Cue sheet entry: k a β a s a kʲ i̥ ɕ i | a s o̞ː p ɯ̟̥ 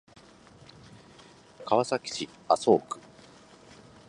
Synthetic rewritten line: k a β a s a kʲ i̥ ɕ i | a s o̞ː k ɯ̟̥